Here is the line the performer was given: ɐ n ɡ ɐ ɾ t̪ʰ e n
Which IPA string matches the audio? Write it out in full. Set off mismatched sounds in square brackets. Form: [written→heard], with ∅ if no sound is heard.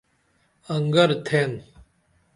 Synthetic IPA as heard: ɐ [n→ŋ] ɡ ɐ ɾ t̪ʰ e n